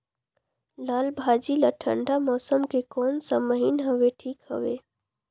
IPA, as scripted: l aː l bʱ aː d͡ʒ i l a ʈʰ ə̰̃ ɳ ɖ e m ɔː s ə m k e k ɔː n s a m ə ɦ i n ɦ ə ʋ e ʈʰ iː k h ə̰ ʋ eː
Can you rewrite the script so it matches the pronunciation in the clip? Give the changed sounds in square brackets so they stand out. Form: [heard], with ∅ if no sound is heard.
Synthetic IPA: l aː l bʱ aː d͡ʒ i l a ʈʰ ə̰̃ ɳ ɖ [a] m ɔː s ə m k e k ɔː n s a m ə ɦ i n ɦ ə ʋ e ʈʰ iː k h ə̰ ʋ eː